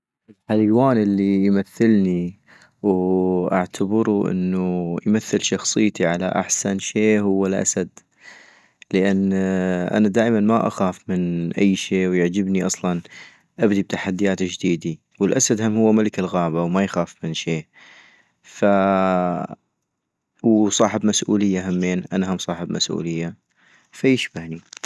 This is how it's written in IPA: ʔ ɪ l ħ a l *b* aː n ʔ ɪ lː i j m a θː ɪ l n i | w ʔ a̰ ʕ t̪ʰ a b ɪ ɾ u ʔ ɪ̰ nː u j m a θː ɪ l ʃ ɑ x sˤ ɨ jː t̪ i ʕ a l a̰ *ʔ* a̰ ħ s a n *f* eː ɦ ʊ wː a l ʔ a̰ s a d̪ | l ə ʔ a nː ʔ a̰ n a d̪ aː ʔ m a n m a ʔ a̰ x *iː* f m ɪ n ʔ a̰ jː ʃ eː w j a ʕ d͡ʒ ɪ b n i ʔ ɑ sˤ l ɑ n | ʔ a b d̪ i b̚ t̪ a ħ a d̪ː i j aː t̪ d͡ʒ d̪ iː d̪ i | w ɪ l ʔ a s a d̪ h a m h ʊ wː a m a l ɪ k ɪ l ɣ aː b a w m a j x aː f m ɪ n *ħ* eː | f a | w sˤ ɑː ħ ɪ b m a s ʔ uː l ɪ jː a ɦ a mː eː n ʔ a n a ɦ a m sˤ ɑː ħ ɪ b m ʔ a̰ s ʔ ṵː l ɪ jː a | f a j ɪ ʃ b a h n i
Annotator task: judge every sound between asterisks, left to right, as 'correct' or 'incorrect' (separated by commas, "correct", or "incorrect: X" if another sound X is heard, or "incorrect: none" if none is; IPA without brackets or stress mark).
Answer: incorrect: w, correct, incorrect: ʃ, incorrect: aː, incorrect: ʃ